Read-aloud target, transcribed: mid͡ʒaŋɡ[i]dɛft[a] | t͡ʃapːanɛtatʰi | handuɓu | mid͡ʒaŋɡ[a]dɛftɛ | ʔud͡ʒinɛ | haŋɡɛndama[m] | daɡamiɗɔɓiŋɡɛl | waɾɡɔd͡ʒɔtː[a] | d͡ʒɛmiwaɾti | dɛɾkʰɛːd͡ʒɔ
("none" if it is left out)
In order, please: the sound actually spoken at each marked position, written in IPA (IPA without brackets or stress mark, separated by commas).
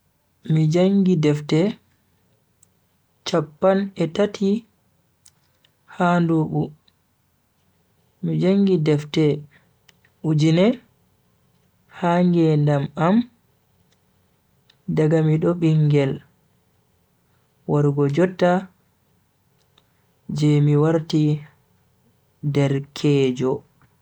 i, ɛ, i, m, a